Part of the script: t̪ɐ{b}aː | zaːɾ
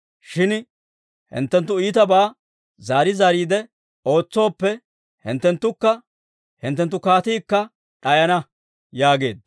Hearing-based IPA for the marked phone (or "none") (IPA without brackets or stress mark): b